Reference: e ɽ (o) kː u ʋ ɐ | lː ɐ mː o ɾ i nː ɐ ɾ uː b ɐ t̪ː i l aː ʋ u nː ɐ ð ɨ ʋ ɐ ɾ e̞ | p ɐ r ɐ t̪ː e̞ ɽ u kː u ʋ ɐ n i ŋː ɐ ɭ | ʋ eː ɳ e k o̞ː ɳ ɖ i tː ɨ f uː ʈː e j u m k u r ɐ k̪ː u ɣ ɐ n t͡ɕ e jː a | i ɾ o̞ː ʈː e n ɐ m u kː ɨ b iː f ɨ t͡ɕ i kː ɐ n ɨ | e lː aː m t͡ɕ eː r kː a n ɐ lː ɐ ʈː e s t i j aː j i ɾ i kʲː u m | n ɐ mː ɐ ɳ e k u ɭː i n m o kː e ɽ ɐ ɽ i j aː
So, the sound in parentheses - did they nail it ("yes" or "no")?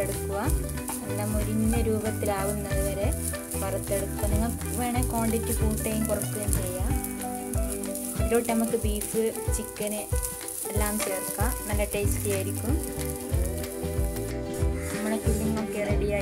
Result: no